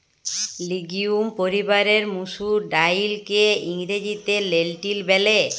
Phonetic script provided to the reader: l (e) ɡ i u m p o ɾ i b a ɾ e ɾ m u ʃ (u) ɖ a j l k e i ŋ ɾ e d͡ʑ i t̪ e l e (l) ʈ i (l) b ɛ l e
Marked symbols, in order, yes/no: no, yes, yes, yes

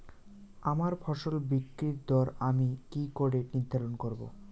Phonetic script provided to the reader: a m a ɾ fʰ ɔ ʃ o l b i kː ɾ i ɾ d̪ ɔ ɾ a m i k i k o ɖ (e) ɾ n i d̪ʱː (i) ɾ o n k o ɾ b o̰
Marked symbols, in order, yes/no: yes, no

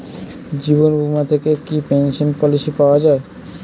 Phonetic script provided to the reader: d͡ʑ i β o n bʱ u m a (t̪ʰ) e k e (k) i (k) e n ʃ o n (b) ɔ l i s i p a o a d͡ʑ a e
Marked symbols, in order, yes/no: yes, yes, no, no

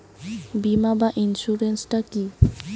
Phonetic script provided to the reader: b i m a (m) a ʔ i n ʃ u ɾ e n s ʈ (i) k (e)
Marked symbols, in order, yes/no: no, no, no

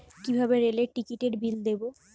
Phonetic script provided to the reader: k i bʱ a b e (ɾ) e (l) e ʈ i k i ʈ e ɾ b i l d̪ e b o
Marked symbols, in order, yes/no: yes, yes

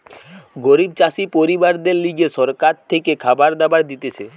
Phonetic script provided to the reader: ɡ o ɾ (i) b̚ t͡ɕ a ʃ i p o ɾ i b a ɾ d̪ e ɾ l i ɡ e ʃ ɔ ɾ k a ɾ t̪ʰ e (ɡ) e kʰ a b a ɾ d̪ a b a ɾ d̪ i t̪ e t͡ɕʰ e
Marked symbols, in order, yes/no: yes, no

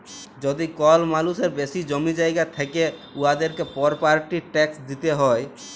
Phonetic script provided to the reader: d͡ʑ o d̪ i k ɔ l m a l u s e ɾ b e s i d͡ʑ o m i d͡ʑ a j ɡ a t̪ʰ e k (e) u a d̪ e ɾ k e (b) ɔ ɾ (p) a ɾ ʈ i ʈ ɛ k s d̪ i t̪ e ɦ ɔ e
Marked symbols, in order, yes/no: yes, no, yes

